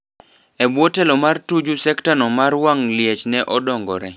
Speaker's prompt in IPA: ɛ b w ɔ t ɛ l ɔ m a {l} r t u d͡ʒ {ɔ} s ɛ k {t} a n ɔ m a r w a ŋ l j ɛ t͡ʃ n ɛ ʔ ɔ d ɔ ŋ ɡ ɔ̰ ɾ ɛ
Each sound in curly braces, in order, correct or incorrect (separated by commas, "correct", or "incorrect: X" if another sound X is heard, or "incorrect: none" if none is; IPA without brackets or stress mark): incorrect: none, incorrect: u, correct